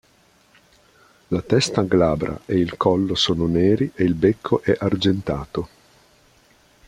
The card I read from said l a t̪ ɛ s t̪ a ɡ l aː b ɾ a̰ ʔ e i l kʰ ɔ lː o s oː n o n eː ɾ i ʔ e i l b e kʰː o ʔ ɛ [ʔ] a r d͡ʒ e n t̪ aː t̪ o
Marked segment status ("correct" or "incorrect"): correct